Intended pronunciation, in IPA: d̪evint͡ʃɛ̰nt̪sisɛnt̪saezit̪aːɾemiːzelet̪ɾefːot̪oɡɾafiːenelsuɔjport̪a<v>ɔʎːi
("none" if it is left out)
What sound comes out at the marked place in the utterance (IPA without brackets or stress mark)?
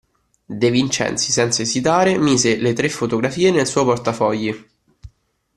f